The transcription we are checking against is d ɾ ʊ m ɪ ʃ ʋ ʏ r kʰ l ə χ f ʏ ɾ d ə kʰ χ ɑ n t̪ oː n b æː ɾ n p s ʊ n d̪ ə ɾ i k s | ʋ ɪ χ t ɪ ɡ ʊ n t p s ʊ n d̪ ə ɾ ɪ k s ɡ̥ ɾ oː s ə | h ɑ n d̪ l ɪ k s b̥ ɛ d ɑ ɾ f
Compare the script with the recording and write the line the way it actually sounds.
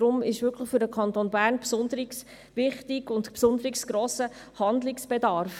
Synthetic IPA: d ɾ ʊ m ɪ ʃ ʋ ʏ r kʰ l ə χ f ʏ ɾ d ə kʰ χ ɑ n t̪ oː n b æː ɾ n p s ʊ n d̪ ə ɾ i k s | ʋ ɪ χ t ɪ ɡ ʊ n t p s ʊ n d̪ ə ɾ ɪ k s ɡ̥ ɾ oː s ə | h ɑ n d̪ l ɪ k s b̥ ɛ d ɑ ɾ f